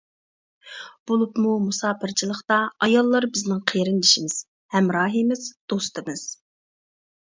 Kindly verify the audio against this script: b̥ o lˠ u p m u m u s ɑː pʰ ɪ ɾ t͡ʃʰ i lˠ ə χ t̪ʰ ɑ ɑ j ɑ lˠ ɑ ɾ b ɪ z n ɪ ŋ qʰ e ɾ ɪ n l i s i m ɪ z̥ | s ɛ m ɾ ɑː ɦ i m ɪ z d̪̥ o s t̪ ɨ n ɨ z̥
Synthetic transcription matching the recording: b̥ o lˠ u p m u m u s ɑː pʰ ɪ ɾ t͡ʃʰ i lˠ ə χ t̪ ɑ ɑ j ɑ lˠː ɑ ɾ b ɪ z n ɪ ŋ qʰ e ɾ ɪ n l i ʃ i m ɪ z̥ | h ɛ m ɾ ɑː ɦ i m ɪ z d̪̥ o s t̪ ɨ m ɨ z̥